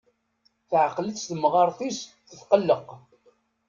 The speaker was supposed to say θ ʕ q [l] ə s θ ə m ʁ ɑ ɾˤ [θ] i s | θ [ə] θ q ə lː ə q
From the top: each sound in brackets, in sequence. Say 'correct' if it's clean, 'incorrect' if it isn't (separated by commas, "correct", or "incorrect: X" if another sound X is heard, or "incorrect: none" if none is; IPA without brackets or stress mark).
correct, correct, correct